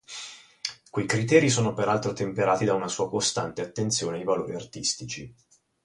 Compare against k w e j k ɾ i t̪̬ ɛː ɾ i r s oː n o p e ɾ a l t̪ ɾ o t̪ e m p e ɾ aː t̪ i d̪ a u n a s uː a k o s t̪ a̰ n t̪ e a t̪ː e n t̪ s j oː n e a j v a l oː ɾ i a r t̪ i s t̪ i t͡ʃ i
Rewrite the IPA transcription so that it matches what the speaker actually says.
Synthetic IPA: k w e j k ɾ i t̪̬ ɛː ɾ i s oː n o p e ɾ a l t̪ ɾ o t̪ e m p e ɾ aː t̪ i d̪ a u n a s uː a k o s t̪ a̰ n t̪ e a t̪ː e n t̪ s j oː n e a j v a l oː ɾ i a r t̪ i s t̪ i t͡ʃ i